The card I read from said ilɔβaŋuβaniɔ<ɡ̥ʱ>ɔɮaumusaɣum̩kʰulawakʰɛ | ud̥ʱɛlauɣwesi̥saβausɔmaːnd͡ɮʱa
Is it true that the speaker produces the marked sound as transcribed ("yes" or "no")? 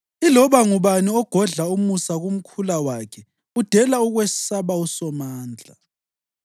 yes